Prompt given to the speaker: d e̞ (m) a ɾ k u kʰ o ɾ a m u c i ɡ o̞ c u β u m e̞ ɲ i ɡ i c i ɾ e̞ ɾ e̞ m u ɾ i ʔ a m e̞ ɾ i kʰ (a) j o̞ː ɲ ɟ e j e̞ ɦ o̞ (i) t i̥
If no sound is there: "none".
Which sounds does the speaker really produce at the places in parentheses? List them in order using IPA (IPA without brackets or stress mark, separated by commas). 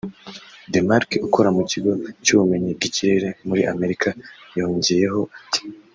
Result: m, a, a